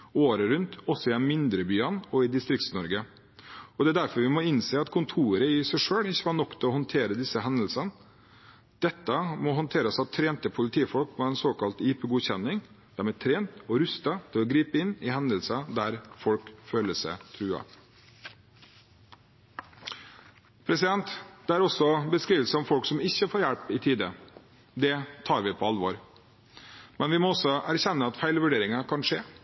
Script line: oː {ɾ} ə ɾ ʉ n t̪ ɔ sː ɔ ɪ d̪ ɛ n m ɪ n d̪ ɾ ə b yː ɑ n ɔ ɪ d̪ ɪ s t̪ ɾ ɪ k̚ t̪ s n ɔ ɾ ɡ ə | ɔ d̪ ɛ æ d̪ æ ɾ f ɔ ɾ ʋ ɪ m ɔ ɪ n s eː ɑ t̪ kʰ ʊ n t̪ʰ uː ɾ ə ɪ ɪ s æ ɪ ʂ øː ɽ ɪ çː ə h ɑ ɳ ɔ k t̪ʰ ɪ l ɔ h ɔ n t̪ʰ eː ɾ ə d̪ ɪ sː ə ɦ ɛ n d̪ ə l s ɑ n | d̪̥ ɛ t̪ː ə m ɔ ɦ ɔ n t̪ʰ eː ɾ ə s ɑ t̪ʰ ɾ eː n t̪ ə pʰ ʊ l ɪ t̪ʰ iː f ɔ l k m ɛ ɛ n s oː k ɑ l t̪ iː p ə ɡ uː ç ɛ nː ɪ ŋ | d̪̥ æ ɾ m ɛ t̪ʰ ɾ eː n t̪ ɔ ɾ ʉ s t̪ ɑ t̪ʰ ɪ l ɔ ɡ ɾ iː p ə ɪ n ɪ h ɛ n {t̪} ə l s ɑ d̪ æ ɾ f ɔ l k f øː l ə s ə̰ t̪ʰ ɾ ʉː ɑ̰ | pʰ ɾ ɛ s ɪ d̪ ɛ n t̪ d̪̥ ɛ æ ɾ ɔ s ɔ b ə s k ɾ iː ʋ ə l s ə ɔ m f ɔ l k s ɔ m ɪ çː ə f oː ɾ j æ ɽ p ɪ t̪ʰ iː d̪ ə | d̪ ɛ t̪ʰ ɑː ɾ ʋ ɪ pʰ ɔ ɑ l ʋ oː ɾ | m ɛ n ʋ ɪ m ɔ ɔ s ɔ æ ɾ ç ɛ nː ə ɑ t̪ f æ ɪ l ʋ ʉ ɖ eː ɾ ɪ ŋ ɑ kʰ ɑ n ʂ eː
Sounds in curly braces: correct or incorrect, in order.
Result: correct, incorrect

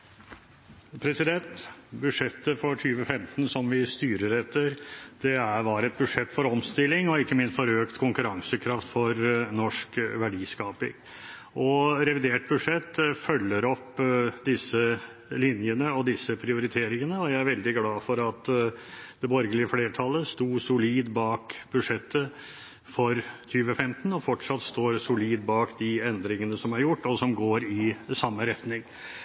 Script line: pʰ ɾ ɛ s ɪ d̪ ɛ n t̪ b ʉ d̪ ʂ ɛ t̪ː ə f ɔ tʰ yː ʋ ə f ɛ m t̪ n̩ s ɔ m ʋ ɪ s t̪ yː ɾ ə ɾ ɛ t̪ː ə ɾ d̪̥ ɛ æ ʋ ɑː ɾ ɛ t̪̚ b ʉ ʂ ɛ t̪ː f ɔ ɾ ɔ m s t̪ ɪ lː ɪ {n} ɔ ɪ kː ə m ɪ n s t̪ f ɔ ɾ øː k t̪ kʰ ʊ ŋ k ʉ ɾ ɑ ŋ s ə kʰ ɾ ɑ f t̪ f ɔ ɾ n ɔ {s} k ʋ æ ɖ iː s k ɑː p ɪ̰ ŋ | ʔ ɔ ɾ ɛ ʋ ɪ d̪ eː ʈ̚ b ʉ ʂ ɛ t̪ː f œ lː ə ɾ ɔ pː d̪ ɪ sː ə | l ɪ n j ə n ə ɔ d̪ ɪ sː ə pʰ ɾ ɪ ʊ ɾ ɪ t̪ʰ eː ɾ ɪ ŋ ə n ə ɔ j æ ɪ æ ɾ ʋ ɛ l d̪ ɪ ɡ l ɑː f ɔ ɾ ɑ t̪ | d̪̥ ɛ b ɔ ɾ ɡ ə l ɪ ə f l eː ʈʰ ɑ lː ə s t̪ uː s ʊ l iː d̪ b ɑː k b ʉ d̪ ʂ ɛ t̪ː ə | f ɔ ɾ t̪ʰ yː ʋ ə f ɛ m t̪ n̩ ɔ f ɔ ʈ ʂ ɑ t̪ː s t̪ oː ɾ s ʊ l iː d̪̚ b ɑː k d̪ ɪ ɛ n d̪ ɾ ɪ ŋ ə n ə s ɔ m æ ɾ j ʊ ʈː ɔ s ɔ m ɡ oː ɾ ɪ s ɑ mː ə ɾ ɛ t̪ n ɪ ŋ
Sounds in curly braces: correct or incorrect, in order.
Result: incorrect, incorrect

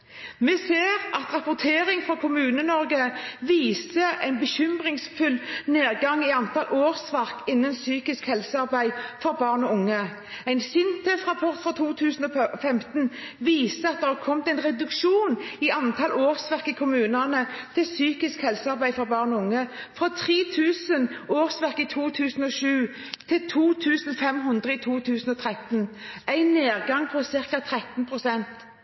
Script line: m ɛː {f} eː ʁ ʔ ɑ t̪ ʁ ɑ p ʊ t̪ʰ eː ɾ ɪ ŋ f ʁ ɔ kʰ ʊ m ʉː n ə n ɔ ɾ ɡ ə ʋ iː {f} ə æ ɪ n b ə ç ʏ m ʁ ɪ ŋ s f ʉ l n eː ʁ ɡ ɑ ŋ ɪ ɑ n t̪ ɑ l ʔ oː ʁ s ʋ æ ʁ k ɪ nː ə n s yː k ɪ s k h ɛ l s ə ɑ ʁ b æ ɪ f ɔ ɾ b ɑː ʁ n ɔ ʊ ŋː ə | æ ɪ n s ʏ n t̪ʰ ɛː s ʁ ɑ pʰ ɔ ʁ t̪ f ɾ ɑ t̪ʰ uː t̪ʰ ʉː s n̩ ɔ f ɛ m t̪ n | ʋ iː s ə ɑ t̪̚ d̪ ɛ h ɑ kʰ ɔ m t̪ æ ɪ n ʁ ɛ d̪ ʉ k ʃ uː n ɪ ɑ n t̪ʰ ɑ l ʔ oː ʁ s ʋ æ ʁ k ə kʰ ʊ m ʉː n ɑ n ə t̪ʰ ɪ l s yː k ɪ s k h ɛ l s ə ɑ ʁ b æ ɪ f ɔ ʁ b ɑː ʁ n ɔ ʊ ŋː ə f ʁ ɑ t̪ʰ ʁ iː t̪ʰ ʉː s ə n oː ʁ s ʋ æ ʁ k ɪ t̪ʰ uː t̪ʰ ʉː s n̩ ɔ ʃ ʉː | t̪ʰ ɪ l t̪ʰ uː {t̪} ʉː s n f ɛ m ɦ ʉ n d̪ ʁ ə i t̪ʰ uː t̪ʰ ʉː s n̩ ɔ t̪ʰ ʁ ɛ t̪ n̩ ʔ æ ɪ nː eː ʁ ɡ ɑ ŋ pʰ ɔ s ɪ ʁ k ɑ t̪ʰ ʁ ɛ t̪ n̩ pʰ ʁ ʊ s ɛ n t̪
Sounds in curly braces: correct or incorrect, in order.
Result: incorrect, incorrect, incorrect

